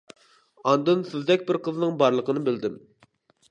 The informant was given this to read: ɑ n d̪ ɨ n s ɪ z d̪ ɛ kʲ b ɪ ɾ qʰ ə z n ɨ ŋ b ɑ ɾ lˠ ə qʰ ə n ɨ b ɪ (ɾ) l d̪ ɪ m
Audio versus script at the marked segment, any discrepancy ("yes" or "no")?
yes